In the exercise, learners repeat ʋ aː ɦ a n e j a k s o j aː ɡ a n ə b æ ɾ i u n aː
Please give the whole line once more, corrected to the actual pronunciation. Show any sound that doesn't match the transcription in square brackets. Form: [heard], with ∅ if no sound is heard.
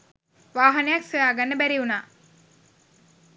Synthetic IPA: ʋ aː ɦ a n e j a k s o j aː ɡ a [nː] ə b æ ɾ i u n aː